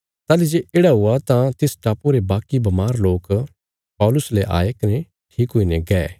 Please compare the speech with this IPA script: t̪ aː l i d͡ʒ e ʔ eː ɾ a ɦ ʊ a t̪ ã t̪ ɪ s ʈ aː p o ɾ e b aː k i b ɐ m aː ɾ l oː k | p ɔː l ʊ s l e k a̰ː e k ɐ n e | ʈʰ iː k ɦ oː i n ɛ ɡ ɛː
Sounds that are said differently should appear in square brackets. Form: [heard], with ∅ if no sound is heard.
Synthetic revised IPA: t̪ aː l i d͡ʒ e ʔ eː [ɽ] a ɦ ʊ a t̪ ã t̪ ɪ s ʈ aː p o ɾ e b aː k i b ɐ m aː ɾ l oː k | p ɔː l ʊ s l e [ʔ] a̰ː e k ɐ n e | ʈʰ iː k ɦ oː i n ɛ ɡ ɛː